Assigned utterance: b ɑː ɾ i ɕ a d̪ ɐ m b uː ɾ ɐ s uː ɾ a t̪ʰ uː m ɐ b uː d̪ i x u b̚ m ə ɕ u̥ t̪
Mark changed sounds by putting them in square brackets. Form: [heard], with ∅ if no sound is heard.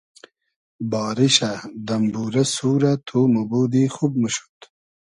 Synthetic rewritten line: b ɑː ɾ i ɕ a d̪ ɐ m b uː ɾ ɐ s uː ɾ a t̪ʰ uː m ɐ b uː d̪ i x u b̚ m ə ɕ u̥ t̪